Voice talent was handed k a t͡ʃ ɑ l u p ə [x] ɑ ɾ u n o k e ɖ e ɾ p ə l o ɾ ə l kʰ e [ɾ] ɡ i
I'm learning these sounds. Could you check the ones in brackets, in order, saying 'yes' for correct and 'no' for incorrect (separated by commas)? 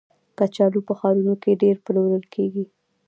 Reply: yes, no